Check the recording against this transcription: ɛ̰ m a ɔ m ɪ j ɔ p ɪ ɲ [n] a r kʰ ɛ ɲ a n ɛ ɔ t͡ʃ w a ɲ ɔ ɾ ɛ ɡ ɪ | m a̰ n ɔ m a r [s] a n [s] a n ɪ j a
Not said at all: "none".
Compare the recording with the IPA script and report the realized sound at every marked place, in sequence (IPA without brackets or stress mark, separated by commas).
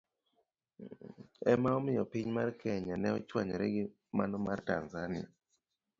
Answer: m, t, z